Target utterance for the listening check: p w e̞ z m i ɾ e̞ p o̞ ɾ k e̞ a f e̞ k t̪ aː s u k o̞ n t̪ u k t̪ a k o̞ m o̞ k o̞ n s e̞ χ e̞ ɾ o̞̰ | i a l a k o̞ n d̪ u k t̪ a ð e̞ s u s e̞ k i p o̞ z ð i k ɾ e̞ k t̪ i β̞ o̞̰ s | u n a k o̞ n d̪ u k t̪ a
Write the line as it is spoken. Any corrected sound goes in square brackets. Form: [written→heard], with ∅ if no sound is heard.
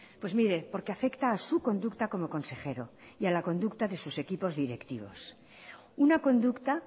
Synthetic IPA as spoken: p w e̞ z m i ɾ e̞ p o̞ ɾ k e̞ a f e̞ k t̪ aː s u k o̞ n [t̪→d̪] u k t̪ a k o̞ m o̞ k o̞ n s e̞ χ e̞ ɾ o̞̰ | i a l a k o̞ n d̪ u k t̪ a ð e̞ s u s e̞ k i p o̞ z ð i [k→∅] ɾ e̞ k t̪ i β̞ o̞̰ s | u n a k o̞ n d̪ u k t̪ a